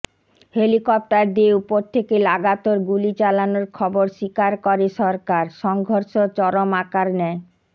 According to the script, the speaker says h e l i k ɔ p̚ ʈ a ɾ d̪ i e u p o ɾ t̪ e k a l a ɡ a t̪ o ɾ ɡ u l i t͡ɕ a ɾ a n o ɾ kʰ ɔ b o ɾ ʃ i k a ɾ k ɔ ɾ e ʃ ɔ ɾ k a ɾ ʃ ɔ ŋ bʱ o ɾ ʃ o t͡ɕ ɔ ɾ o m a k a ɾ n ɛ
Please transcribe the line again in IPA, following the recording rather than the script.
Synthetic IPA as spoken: h e l i k ɔ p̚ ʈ a ɾ d̪ i e u p o ɾ t̪ʰ e k e l a ɡ a t̪ o ɾ ɡ u l i t͡ɕ a l a n o ɾ kʰ ɔ b o ɾ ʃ i k a ɾ k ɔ ɾ e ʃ ɔ ɾ k a ɾ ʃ ɔ ŋ ɡʱ o ɾ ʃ o t͡ɕ ɔ ɾ o m a k a ɾ n ɛ